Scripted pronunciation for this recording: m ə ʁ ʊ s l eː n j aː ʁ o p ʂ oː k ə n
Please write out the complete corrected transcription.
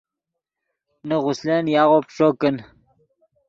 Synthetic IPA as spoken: n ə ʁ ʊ s l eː n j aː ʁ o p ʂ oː k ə n